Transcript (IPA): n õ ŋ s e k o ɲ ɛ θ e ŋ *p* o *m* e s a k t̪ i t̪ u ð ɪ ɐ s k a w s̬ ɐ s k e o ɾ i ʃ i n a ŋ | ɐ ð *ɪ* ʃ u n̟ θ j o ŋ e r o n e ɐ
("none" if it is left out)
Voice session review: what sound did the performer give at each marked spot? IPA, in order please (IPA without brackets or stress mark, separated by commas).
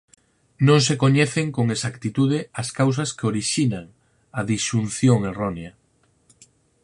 k, ŋ, i